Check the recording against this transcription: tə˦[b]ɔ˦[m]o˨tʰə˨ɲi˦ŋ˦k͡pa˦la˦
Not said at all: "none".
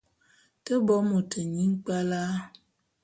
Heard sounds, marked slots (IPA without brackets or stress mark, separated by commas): b, m